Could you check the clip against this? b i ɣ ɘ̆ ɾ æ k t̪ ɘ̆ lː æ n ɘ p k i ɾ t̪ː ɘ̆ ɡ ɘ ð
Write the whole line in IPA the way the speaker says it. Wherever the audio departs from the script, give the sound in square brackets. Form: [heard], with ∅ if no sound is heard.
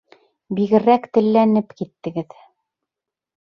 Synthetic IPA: b i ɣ ɘ̆ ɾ æ k t̪ ɘ̆ lː æ n ɘ p k i [∅] t̪ː ɘ̆ ɡ ɘ ð